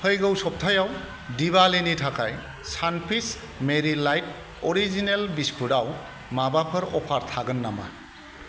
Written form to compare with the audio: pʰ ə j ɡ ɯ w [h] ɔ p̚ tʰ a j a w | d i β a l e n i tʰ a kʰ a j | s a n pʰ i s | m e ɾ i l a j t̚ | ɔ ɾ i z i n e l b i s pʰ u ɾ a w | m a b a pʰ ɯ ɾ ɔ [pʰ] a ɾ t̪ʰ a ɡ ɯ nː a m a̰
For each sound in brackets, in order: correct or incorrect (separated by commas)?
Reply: incorrect, correct